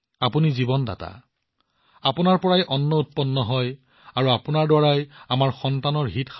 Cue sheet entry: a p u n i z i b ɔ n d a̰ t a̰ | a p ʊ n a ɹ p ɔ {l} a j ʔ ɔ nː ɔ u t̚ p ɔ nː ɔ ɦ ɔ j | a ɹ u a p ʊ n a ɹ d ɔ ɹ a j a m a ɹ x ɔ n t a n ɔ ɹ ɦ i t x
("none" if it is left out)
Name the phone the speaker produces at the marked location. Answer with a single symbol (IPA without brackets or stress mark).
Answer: ɹ